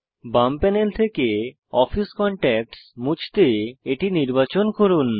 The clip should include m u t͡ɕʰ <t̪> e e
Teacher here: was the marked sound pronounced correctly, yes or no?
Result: yes